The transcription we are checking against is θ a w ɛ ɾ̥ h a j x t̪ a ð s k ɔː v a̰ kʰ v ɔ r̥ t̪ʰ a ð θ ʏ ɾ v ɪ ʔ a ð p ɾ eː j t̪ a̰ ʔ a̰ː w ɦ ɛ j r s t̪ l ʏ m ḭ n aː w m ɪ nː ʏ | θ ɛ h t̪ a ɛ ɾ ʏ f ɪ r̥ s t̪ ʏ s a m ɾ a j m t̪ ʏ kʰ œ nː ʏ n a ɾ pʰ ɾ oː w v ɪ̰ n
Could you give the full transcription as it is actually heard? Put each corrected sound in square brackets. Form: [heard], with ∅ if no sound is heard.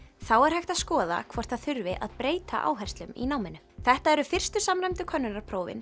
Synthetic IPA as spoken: θ a w ɛ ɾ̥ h a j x t̪ a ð s k ɔː [ð] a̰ kʰ v ɔ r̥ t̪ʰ a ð θ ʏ ɾ v ɪ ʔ a ð p ɾ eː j t̪ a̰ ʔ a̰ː w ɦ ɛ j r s t̪ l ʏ m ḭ n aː w m ɪ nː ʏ | θ ɛ h t̪ a ɛ ɾ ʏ f ɪ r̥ s t̪ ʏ s a m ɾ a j m t̪ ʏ kʰ œ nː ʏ n a ɾ pʰ ɾ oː w v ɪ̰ n

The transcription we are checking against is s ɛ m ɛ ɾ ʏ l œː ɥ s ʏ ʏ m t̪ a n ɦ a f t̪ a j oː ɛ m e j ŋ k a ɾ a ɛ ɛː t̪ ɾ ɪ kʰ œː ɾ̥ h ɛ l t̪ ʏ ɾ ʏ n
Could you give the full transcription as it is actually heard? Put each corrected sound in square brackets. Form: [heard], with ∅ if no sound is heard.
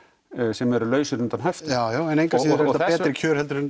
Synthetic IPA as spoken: s ɛ m ɛ ɾ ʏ l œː ɥ s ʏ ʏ [n] t̪ a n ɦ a f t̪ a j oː ɛ [n] e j ŋ k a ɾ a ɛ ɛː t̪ ɾ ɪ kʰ œː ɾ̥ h ɛ l t̪ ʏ ɾ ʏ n

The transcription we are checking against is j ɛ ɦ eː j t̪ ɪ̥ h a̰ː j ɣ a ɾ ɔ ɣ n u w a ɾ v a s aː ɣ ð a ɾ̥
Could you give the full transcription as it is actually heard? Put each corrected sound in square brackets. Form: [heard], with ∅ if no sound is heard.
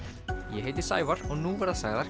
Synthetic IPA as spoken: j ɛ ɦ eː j t̪ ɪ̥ [s] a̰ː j [v] a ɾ ɔ ɣ n u [v] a ɾ [ð] a s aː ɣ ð a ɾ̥

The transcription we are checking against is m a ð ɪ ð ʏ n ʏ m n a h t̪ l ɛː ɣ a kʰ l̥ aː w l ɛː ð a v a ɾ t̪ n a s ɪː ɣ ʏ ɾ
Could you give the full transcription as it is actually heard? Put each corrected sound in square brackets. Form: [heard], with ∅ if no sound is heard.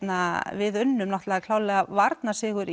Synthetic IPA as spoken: [n] a [v] ɪ ð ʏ [nː] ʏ m n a h t̪ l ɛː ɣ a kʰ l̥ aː w l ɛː [ɣ] a v a ɾ t̪ n a s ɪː ɣ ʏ ɾ

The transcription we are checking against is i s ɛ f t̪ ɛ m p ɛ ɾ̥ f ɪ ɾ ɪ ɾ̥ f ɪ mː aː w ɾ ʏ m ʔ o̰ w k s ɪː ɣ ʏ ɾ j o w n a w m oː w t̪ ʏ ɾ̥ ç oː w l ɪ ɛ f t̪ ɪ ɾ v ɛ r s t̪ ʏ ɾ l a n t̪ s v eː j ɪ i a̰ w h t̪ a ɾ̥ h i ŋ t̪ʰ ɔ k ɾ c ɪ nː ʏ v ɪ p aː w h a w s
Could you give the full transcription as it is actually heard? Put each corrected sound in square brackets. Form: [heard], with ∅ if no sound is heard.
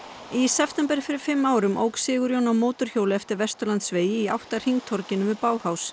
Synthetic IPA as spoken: i s ɛ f t̪ ɛ m p ɛ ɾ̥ f ɪ ɾ ɪ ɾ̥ f ɪ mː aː w ɾ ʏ m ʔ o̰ w k s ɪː ɣ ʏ ɾ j o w n a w m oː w t̪ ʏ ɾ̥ ç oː w l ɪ ɛ f t̪ ɪ ɾ v ɛ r s t̪ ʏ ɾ l a n t̪ s v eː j ɪ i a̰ w h t̪ a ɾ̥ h i ŋ t̪ʰ ɔ [∅] ɾ c ɪ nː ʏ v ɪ p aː w h a w s

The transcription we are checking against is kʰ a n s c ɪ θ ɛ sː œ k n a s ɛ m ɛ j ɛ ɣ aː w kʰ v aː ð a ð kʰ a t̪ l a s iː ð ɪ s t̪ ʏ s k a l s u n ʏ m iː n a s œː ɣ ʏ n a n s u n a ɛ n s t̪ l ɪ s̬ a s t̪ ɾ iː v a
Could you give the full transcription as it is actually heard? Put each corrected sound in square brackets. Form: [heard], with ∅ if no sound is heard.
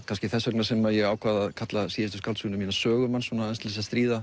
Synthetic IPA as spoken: kʰ a n s c ɪ θ ɛ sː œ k n a s ɛ m [a] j ɛ ɣ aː w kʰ v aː ð a ð kʰ a t̪ l a s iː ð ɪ s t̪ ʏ s k a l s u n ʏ m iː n a s œː ɣ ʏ [m] a n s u n a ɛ n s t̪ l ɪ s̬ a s t̪ ɾ iː [ð] a

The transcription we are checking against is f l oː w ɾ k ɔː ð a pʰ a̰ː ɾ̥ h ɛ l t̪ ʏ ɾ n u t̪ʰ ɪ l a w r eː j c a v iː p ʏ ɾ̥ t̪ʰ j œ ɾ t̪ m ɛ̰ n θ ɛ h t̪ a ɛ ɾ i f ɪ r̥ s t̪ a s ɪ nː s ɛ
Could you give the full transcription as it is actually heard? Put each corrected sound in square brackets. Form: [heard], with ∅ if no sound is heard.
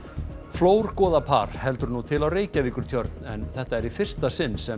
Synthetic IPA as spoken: f l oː w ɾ k ɔː ð a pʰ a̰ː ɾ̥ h ɛ l t̪ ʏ ɾ n u t̪ʰ ɪ l a w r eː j c a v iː [k] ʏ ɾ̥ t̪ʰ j œ ɾ t̪ [n] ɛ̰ n θ ɛ h t̪ a ɛ ɾ i f ɪ r̥ s t̪ a s ɪ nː s ɛ

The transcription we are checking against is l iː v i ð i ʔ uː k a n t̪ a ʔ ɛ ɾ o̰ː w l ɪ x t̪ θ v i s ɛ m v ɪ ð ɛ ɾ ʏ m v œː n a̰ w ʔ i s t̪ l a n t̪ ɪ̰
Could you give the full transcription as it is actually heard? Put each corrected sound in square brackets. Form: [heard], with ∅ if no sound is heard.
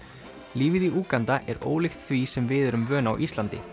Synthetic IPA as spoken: l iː v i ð i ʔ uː k a n t̪ a ʔ ɛ ɾ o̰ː w l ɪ x t̪ θ v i s ɛ m v ɪ ð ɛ ɾ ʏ m v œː n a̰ w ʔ i s t̪ l a n t̪ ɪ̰

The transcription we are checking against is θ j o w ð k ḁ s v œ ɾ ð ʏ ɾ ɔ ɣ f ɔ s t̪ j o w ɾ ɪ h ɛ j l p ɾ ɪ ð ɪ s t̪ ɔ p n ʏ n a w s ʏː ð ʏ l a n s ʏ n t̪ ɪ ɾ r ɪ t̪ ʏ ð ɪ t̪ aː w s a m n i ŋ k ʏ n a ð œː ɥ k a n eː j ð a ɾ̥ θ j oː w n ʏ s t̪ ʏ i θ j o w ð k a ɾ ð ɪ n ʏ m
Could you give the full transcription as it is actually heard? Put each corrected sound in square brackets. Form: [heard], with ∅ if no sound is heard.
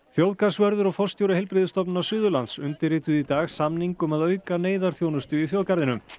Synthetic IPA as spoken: θ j o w ð k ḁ s v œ ɾ ð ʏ ɾ ɔ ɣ f ɔ s t̪ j o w ɾ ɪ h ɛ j l p ɾ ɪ ð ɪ s t̪ ɔ p n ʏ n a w s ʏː ð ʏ l a n s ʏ n t̪ ɪ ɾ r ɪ t̪ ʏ ð [i] t̪ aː [ɣ] s a m n i ŋ k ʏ [m] a ð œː ɥ k a n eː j ð a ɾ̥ θ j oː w n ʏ s t̪ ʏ i θ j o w ð k a ɾ ð ɪ n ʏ m

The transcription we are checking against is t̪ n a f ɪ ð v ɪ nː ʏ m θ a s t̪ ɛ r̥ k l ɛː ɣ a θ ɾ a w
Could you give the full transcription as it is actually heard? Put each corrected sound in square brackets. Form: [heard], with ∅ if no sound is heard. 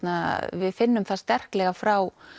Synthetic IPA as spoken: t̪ n a [v] ɪ ð [f] ɪ nː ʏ m θ a s t̪ ɛ r̥ k l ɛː ɣ a [f] ɾ a w

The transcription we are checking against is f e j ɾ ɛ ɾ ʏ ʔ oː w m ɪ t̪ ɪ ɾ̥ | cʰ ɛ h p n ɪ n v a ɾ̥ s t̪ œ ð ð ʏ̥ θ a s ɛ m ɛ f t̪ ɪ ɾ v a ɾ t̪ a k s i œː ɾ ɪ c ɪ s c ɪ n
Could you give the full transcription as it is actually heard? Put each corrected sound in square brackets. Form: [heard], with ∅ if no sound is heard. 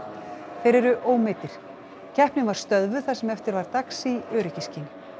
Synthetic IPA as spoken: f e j ɾ ɛ ɾ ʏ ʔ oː w m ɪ t̪ ɪ ɾ̥ | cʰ ɛ h p n ɪ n v a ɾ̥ s t̪ œ ð [v] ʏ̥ θ a s ɛ m ɛ f t̪ ɪ ɾ v a ɾ t̪ a k s i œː ɾ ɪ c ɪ s c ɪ n

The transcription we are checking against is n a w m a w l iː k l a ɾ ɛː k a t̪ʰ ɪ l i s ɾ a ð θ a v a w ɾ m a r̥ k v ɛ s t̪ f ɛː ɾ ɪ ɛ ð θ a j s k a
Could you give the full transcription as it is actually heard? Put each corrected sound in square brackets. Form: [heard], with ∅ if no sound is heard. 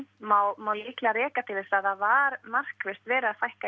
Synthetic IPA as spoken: [m] a w m a w l iː k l a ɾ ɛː k a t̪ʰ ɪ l [ɪ] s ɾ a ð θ a v a [∅] ɾ m a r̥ k v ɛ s t̪ [v] ɛː ɾ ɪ [a] ð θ a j [h] k a

